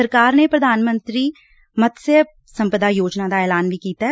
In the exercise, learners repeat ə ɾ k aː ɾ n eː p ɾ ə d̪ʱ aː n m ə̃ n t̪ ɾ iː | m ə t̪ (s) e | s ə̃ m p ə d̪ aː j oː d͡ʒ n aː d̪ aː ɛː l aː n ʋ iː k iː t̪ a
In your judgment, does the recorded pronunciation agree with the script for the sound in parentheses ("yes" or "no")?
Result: yes